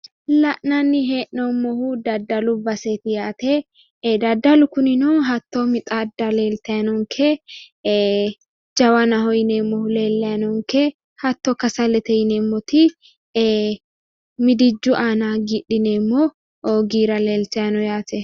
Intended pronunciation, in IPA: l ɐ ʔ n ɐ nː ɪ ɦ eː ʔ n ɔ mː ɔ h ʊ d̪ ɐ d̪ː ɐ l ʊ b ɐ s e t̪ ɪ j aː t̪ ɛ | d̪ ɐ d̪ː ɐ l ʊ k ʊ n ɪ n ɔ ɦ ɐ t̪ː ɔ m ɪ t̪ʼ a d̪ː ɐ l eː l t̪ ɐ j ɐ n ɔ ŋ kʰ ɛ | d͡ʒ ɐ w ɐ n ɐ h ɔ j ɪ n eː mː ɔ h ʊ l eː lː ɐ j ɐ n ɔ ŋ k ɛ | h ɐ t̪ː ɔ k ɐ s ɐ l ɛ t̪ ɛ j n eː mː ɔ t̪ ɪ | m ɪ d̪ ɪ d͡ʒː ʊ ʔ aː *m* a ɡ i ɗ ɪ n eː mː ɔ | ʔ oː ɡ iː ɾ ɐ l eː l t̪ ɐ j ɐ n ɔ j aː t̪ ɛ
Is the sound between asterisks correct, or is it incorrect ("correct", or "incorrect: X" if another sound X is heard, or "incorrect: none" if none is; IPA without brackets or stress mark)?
incorrect: n